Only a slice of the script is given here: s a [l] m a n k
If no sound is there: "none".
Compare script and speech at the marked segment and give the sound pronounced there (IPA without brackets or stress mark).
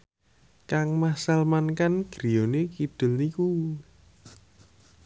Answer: l